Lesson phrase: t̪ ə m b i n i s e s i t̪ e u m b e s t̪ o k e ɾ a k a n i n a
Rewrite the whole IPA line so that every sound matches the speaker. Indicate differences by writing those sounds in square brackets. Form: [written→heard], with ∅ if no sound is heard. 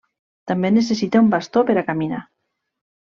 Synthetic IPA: t̪ [ə→a] m b [i→e] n [i→e] s e s i t̪ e u m b [e→a] s t̪ o [k→p] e ɾ a k a [n→m] i n a